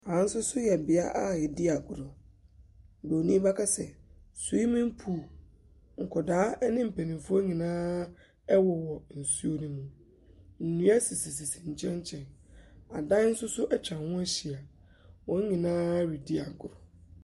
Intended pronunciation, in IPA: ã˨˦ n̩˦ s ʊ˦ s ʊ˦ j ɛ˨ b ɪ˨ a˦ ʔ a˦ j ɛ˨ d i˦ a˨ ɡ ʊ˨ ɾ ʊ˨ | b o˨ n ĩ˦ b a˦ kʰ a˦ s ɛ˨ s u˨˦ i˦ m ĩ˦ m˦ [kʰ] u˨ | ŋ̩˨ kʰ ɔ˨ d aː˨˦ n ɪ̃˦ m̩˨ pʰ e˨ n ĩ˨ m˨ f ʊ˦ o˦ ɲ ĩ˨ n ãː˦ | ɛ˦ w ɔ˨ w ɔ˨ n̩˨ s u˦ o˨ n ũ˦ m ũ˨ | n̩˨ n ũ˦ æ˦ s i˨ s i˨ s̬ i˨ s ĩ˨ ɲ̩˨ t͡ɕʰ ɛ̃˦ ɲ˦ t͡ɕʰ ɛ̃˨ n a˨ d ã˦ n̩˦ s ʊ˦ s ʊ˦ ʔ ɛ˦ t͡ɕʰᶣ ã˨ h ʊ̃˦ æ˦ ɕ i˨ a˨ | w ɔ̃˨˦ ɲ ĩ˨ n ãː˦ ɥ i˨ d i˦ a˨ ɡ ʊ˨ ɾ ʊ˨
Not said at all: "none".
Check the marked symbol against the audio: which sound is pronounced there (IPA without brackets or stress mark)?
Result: pʰ